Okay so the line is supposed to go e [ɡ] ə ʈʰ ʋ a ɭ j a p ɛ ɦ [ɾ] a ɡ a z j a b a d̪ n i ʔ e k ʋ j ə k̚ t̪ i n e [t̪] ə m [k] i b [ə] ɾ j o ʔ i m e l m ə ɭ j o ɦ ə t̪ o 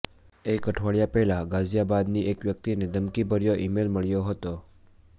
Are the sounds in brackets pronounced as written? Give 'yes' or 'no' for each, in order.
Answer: no, no, no, yes, yes

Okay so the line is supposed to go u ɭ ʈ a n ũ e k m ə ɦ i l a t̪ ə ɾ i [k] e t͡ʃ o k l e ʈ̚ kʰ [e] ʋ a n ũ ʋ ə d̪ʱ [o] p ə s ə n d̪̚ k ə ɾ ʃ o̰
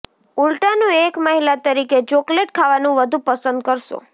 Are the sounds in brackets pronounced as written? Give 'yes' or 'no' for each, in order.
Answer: yes, no, no

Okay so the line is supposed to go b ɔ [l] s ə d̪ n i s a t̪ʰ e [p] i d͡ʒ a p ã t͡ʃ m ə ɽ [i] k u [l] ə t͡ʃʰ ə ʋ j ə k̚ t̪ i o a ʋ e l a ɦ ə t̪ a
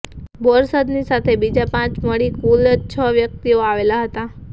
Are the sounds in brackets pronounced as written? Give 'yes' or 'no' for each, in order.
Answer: no, no, yes, yes

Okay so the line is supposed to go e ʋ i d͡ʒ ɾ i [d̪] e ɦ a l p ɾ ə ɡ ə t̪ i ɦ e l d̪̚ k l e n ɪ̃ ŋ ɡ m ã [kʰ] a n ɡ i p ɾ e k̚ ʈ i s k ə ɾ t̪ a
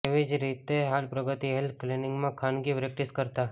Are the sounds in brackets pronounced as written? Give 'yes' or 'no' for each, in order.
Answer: no, yes

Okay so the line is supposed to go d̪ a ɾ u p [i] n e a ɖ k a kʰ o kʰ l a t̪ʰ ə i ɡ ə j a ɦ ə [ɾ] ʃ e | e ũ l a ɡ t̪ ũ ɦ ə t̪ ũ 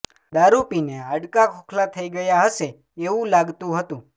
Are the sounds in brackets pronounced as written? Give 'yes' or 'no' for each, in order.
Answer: yes, no

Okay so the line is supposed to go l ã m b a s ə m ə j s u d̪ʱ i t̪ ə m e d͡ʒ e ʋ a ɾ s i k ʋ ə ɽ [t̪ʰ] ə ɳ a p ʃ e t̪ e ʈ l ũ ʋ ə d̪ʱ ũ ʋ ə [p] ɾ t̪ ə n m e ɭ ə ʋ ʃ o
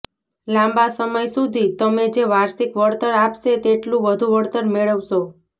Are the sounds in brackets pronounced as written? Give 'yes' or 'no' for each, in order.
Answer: no, no

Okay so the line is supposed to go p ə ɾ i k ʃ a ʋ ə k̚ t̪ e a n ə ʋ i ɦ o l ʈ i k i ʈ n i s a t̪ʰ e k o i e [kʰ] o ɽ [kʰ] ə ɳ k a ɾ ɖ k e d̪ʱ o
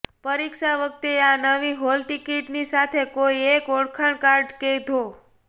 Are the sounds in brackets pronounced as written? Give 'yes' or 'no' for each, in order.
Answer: no, yes

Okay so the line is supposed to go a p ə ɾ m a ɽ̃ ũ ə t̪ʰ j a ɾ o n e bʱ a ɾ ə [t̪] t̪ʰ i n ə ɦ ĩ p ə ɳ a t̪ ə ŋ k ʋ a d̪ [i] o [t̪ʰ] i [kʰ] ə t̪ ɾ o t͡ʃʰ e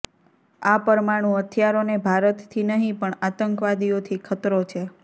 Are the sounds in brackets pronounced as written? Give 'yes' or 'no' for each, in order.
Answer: yes, yes, yes, yes

